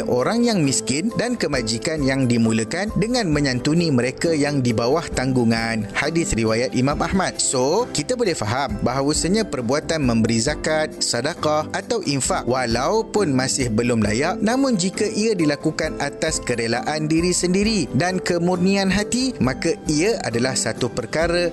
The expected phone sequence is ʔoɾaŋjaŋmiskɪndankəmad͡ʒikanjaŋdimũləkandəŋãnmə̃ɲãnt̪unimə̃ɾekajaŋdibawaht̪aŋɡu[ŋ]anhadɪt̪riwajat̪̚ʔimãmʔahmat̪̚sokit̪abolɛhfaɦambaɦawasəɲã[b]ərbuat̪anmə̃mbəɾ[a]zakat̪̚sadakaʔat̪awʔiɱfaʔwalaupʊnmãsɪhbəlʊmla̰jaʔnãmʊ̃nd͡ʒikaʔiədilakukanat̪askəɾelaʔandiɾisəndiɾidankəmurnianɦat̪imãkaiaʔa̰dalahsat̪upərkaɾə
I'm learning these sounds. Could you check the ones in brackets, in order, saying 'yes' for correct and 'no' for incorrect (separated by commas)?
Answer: yes, no, no